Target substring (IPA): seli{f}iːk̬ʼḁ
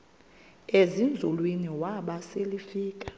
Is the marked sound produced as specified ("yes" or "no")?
yes